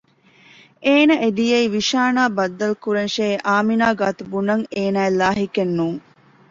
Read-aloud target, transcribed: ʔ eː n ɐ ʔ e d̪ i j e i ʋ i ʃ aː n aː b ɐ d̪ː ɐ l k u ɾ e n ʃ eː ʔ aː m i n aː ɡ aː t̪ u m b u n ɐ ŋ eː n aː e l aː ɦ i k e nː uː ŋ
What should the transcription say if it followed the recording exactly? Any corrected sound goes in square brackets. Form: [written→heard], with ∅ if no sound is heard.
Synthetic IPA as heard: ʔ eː n ɐ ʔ e d̪ i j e i ʋ i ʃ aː n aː b ɐ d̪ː ɐ l k u ɾ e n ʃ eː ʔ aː m i n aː ɡ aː t̪ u [m→∅] b u n ɐ ŋ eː n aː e l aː ɦ i k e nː uː ŋ